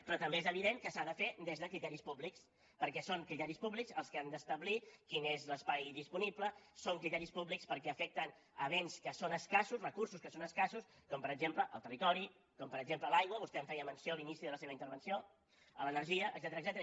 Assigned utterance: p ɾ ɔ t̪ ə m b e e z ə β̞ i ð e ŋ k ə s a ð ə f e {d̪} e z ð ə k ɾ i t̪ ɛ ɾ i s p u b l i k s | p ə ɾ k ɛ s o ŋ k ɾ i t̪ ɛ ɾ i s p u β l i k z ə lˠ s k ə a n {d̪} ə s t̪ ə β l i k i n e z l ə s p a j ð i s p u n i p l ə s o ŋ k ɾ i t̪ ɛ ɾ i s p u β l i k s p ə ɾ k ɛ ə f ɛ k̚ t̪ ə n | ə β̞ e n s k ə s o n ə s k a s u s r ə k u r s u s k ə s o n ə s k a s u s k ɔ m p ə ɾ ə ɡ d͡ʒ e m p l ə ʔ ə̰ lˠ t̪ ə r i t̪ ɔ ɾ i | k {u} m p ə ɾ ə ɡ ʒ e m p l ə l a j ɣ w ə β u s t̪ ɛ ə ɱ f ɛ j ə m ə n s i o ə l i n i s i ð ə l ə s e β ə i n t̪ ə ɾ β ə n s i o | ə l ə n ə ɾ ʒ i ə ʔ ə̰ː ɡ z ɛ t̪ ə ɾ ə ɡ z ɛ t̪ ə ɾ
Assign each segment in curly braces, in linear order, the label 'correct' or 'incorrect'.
correct, correct, incorrect: ɔ

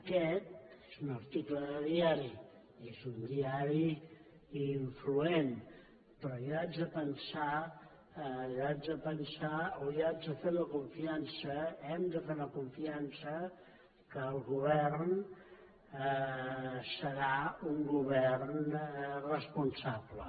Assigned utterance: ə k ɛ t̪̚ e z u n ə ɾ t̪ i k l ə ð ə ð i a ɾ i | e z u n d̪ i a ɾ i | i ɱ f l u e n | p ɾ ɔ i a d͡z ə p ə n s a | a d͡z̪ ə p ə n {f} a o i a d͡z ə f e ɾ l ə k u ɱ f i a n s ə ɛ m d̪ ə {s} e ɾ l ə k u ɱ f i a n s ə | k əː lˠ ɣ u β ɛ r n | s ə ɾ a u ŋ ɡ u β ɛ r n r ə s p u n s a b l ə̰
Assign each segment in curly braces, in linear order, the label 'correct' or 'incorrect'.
incorrect: s, incorrect: f

